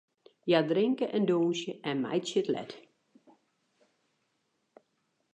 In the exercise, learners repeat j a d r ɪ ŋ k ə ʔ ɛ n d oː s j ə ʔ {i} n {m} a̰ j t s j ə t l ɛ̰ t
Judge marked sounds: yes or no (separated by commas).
no, yes